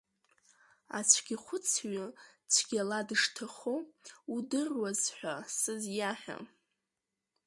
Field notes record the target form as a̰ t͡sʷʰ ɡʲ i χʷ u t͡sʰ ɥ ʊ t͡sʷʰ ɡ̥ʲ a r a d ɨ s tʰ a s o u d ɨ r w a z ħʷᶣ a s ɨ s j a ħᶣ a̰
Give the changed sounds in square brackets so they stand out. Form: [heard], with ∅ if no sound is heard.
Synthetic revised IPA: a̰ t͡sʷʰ ɡʲ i χʷ [ʊ] t͡sʰ ɥ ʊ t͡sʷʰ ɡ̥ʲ a [l] a d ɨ [ʂ] tʰ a [χ] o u d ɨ r w a z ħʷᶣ a s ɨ [z] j a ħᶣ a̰